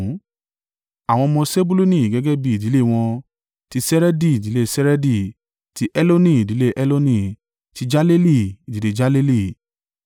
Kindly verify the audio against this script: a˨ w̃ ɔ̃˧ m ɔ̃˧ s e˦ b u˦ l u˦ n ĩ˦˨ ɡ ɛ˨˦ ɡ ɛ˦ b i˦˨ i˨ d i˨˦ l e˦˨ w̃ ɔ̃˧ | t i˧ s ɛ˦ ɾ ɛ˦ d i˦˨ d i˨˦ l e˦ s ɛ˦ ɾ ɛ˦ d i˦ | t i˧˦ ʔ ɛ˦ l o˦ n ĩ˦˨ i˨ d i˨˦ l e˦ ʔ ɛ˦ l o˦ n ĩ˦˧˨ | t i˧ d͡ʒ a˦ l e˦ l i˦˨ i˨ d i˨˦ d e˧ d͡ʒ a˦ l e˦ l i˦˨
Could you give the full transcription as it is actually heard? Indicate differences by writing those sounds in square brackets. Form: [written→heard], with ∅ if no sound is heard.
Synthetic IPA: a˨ w̃ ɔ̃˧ m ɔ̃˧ s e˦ b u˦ l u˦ n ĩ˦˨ ɡ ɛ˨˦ ɡ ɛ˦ b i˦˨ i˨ d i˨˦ l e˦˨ w̃ ɔ̃˧ | t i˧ s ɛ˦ ɾ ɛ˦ d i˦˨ d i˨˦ l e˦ s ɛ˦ ɾ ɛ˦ d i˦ | t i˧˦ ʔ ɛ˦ l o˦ n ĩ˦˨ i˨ d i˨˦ l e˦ ʔ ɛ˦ l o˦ n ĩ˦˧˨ | t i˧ d͡ʒ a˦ l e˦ l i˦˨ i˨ d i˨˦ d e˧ d͡ʒ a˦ l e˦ l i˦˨